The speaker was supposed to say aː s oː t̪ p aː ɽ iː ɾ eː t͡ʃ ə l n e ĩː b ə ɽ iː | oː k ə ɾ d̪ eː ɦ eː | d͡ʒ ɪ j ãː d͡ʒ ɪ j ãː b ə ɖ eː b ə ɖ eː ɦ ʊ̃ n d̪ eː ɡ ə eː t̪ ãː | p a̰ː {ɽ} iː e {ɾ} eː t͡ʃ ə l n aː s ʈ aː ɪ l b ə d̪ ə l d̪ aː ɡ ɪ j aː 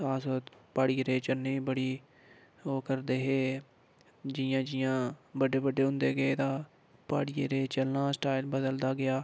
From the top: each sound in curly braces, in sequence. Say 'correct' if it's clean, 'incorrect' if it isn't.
correct, correct

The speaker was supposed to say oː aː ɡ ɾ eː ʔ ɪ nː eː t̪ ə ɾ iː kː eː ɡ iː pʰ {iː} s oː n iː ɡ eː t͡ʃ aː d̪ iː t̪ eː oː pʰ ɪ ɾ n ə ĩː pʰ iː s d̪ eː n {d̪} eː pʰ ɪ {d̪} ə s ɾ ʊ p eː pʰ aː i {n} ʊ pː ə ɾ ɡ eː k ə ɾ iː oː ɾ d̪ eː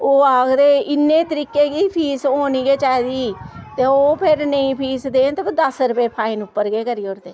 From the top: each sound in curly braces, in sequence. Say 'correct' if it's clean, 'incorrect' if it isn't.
correct, incorrect: t̪, correct, correct

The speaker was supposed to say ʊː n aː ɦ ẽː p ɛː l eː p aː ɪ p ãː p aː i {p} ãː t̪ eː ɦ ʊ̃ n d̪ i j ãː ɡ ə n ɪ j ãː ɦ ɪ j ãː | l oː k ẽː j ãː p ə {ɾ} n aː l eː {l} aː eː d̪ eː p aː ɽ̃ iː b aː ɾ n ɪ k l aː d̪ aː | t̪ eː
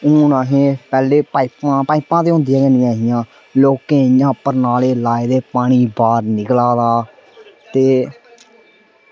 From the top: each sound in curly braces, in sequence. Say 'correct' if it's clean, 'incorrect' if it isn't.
correct, correct, correct

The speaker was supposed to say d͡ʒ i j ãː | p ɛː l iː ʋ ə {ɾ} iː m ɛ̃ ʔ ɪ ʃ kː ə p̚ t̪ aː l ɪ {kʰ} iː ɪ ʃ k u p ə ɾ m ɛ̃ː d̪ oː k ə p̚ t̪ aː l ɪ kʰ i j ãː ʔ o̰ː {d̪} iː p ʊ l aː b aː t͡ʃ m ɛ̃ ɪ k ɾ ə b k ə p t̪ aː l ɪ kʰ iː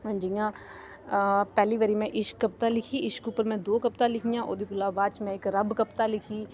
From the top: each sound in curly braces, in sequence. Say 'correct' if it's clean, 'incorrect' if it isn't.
correct, correct, correct

